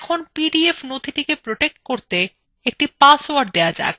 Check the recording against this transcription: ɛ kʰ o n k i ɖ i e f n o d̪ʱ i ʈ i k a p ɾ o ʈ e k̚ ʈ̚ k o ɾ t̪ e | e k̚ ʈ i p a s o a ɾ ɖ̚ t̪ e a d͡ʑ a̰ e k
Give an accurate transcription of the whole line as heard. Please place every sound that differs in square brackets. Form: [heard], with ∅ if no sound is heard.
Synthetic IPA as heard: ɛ kʰ o n [p] i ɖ i e f n o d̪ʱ i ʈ i k [e] p ɾ o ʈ e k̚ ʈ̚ k o ɾ t̪ e | e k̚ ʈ i p a s o a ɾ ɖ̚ [d̪] e a d͡ʑ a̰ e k